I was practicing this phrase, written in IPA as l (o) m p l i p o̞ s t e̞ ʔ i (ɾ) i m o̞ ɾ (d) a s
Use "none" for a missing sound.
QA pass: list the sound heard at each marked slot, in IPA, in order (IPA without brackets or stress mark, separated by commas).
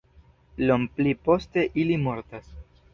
o, l, t